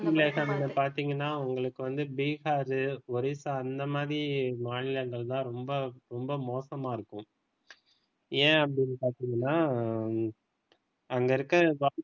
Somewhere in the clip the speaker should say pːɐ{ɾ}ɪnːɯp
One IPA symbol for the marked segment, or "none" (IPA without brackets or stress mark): ɽ